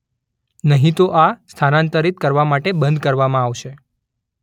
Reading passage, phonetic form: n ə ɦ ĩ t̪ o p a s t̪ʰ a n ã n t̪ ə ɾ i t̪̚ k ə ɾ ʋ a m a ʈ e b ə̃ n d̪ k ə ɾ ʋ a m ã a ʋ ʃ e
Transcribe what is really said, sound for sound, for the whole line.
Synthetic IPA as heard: n ə ɦ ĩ t̪ o ʔ a s t̪ʰ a n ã n t̪ ə ɾ i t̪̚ k ə ɾ ʋ a m a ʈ e b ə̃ n d̪ k ə ɾ ʋ a m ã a ʋ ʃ e